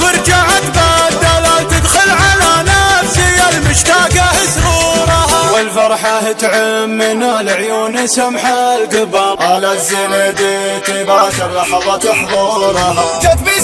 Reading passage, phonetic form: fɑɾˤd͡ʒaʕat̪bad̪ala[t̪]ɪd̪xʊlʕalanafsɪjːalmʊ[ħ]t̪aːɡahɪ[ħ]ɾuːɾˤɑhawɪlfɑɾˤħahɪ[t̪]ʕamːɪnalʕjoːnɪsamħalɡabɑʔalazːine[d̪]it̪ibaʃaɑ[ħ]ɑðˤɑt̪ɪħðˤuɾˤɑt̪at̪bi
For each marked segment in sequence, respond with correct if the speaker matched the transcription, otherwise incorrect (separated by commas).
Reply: correct, incorrect, incorrect, correct, correct, correct